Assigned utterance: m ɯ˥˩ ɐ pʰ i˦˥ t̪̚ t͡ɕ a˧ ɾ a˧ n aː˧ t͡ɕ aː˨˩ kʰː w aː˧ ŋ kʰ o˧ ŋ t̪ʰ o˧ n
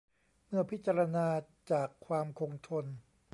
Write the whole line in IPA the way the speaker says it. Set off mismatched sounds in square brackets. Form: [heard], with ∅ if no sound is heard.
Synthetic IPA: m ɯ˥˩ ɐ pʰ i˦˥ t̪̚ t͡ɕ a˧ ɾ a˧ n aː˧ t͡ɕ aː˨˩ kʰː w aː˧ [m] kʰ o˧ ŋ t̪ʰ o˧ n